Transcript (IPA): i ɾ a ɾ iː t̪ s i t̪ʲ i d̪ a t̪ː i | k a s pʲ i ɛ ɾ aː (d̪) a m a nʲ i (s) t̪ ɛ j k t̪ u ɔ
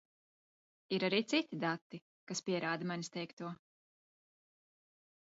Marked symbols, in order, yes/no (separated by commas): yes, yes